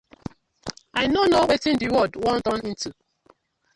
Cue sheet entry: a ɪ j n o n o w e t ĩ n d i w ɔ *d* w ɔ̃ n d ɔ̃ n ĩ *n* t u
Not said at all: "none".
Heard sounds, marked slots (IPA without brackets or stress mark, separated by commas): d, n